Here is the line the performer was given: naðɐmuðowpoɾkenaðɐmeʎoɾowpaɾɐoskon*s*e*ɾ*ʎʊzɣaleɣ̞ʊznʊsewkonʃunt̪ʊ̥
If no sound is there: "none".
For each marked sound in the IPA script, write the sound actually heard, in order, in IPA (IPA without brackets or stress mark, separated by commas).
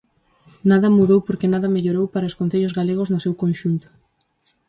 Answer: θ, none